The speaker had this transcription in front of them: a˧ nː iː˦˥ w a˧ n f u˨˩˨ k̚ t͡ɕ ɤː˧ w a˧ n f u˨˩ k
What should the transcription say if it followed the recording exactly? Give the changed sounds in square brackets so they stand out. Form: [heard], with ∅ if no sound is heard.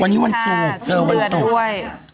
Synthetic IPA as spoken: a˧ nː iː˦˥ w a˧ n [s] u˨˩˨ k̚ t͡ɕ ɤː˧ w a˧ n [s] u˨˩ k